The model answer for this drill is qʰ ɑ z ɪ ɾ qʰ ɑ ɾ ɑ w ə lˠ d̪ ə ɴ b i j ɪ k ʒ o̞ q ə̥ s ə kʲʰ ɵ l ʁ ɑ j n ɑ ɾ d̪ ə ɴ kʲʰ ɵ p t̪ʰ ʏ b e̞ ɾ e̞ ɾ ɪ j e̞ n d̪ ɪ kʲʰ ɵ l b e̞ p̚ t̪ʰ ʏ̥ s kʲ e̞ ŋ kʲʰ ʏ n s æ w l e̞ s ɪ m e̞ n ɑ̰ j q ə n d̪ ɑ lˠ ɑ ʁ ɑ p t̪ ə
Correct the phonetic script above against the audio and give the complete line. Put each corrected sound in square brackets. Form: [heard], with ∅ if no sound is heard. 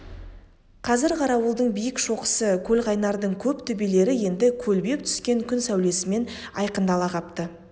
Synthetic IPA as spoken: qʰ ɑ z ɪ ɾ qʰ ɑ ɾ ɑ w ə lˠ d̪ ə ɴ b i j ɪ k [ʃ] o̞ q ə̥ s ə kʲʰ ɵ l ʁ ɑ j n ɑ ɾ d̪ ə ɴ kʲʰ ɵ p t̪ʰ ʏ b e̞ [l] e̞ ɾ ɪ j e̞ n d̪ ɪ kʲʰ ɵ l b e̞ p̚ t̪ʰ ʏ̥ s kʲ e̞ ŋ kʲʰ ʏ n s æ w l e̞ s ɪ m e̞ n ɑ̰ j q ə n d̪ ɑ lˠ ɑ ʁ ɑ p t̪ ə

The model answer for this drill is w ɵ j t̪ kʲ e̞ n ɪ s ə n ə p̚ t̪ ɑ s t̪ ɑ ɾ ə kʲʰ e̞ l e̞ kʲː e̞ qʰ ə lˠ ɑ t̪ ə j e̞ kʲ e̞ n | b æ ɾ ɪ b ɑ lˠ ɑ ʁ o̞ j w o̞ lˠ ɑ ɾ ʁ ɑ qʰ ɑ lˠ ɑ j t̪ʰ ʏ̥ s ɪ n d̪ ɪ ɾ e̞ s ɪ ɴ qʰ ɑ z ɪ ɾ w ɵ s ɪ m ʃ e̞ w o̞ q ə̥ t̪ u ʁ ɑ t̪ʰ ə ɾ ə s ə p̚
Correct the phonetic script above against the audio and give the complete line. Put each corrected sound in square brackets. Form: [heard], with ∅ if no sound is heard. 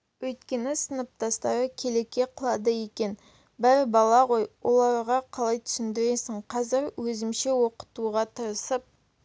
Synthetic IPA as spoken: w ɵ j t̪ kʲ e̞ n ɪ s ə n ə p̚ t̪ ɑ s t̪ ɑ ɾ ə kʲʰ e̞ l e̞ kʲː e̞ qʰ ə lˠ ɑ [d̪] ə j e̞ kʲ e̞ n | b æ ɾ ɪ b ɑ lˠ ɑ ʁ o̞ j w o̞ lˠ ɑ ɾ ʁ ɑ qʰ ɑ lˠ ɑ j t̪ʰ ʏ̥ s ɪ n d̪ ɪ ɾ e̞ s ɪ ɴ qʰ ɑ z ɪ ɾ w ɵ [z] ɪ m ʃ e̞ w o̞ q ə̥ t̪ u ʁ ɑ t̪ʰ ə ɾ ə s ə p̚

